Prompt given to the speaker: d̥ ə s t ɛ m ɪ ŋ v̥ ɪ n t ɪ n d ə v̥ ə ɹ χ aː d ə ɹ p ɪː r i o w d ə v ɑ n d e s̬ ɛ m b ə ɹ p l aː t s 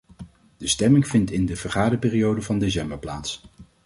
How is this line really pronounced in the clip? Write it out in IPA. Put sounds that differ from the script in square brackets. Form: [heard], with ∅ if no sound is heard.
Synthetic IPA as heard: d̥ ə s t ɛ m ɪ ŋ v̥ ɪ n t ɪ n d ə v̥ ə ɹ χ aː d ə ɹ p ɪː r i o w d ə v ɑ n d e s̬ ɛ m b ə ɹ p l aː t s